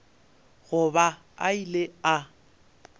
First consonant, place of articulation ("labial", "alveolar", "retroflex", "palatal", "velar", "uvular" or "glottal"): velar